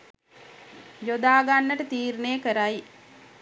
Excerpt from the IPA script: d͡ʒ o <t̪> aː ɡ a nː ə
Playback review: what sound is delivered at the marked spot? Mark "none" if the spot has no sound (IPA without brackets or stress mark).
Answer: d̪